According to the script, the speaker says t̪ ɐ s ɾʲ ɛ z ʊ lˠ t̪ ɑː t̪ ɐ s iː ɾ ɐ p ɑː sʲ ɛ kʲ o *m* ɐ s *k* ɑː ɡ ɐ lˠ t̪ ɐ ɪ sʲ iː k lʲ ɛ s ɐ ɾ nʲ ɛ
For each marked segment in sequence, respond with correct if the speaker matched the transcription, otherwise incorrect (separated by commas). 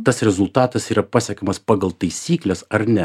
correct, incorrect